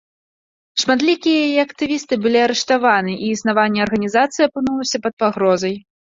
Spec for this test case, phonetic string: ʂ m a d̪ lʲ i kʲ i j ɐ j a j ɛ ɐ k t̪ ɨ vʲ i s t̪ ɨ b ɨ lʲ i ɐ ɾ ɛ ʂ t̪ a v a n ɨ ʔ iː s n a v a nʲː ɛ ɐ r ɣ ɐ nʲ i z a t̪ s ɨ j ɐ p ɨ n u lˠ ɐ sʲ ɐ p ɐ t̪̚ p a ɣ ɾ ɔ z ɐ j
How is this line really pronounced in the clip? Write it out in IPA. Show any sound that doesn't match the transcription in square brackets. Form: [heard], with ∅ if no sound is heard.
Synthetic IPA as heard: ʂ m a d̪ lʲ i kʲ i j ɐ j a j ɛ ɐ k t̪ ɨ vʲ i s t̪ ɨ b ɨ lʲ i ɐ ɾ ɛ ʂ t̪ a v a n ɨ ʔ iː s n a v a nʲː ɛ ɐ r ɣ ɐ nʲ i z a t̪ s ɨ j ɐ p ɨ n u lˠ ɐ sʲ ɐ p ɐ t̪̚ p a ɣ ɾ ɔ z ɐ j